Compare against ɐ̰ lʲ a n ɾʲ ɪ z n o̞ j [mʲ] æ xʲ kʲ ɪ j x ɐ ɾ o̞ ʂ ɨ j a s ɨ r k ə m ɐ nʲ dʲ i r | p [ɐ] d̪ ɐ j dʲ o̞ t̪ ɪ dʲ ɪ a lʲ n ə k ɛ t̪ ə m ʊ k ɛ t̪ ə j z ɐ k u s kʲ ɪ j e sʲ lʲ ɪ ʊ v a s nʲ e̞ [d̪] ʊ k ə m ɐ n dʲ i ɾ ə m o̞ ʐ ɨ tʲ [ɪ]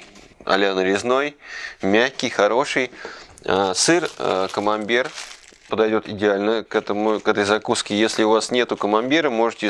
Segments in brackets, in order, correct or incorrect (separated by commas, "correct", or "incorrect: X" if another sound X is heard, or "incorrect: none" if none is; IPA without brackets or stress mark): correct, incorrect: ə, incorrect: t̪, correct